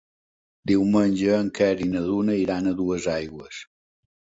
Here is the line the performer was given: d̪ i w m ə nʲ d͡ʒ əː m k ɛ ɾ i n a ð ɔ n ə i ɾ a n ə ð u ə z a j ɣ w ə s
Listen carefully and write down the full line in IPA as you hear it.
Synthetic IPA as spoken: d̪ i w m ə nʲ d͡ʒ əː ŋ k ɛ ɾ i n ə ð u n ə i ɾ a n ə ð u ə z a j ɣ w ə s